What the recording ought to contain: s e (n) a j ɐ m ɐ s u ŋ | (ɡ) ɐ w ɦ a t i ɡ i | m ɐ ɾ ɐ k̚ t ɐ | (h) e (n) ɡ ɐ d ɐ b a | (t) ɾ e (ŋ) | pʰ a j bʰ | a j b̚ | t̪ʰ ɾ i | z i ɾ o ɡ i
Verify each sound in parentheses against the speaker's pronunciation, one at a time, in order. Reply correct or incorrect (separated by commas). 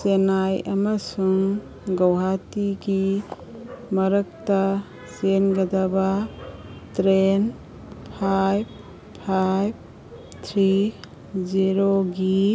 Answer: correct, correct, incorrect, correct, correct, incorrect